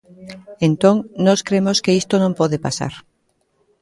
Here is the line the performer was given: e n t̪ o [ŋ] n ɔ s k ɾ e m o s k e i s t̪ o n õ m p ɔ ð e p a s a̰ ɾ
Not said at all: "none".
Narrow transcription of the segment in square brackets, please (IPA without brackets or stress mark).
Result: ŋ